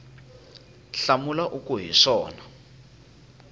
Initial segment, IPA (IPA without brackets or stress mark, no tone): ɬ